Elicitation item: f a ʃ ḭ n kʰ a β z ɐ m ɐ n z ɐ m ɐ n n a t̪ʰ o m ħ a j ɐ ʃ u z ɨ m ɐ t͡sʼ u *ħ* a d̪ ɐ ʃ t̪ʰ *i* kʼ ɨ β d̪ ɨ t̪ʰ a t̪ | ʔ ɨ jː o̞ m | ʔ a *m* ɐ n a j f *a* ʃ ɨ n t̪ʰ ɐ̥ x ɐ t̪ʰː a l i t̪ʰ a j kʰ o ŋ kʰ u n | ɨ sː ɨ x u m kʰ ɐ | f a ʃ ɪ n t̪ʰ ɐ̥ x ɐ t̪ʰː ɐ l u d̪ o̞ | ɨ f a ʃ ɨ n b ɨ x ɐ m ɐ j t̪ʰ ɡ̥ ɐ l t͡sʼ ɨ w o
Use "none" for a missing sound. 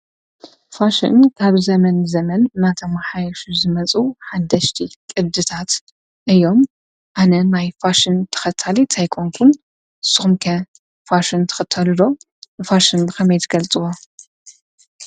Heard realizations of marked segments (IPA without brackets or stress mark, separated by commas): ħ, i, n, a